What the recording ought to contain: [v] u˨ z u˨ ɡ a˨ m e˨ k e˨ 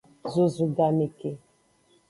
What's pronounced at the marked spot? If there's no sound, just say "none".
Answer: z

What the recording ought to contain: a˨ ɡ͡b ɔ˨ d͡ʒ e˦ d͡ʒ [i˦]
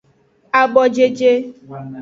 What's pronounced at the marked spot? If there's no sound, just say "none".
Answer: e˦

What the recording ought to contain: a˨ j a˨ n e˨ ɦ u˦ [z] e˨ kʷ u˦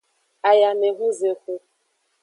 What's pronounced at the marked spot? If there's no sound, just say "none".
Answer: z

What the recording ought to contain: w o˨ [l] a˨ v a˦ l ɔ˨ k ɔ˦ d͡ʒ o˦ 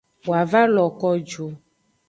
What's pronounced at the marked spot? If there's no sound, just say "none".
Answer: none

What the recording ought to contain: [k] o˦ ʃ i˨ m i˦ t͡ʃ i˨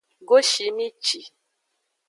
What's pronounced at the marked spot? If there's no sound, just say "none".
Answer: ɡ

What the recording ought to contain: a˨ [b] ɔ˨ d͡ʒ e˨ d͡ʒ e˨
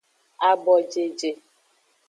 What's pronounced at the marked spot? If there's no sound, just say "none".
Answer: b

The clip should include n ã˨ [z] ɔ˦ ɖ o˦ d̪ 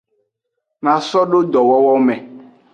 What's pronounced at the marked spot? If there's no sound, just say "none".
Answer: s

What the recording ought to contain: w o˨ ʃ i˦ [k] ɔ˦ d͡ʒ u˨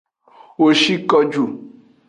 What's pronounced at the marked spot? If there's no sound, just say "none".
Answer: k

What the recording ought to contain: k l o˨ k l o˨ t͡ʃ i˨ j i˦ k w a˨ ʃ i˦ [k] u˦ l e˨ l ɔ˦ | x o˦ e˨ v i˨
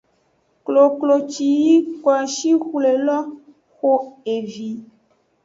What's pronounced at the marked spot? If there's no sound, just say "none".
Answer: x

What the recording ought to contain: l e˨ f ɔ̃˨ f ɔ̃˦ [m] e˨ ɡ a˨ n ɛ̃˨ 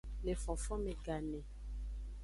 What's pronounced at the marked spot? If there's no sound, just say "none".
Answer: m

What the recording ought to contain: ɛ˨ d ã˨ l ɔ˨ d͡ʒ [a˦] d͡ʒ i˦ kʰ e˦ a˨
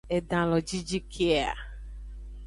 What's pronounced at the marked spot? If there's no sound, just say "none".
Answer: i˦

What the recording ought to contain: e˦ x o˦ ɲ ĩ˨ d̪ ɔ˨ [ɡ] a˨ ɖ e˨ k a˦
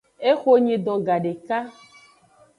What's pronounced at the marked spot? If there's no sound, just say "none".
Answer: ɡ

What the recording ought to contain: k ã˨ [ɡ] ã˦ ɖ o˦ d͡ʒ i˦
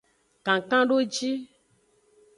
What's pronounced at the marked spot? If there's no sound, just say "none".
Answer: k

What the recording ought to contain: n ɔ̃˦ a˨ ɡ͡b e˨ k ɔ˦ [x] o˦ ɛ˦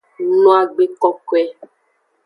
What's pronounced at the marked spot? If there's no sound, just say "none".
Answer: k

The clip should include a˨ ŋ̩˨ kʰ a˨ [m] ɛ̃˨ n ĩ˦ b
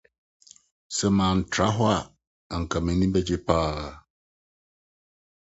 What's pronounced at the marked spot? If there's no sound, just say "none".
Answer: m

